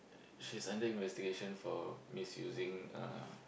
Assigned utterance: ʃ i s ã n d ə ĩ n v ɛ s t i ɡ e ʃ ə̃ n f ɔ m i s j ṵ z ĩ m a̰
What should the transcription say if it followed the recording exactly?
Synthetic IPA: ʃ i s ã n d ə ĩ n v ɛ s t i ɡ e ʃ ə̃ n f ɔ m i s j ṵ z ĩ ŋ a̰